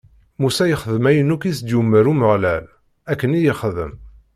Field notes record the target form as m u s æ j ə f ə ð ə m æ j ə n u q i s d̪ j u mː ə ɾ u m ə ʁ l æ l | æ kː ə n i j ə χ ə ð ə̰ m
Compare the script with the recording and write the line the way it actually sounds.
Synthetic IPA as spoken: m u s æ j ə χ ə ð ə m æ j ə n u k i s d̪ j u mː ə ɾ u m ə ʁ l æ l | æ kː ə n i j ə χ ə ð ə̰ m

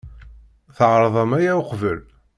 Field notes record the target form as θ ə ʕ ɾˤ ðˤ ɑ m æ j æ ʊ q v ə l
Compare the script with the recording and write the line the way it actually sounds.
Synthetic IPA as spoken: θ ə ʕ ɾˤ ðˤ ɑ m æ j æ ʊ q v ə l

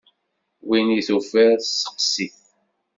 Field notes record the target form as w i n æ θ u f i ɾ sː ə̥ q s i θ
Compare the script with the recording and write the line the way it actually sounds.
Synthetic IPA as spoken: w i n i θ u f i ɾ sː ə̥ q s i θ

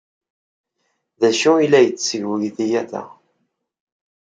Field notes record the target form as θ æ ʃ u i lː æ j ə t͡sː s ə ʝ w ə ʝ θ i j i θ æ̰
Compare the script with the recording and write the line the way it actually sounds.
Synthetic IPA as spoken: ð æ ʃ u i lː æ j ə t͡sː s ə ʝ w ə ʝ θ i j æ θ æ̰

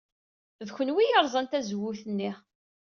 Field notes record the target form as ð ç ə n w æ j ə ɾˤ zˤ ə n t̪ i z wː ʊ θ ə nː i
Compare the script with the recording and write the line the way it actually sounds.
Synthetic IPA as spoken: ð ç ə n w i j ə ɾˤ zˤ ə n t̪ æ z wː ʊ θ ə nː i

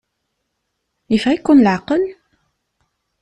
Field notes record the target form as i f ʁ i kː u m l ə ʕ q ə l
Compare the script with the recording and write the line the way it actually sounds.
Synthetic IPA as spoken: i f ʁ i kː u n l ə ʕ q ə l

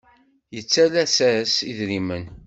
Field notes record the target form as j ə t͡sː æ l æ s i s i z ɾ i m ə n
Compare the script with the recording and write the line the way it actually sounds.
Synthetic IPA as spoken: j ə t͡sː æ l æ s æ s i ð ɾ i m ə n

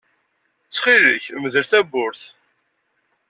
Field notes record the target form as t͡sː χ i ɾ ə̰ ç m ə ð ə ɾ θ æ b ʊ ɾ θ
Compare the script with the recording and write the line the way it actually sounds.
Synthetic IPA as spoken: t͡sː χ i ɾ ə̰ ç m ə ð ə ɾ θ æ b ʊ ɾ θ

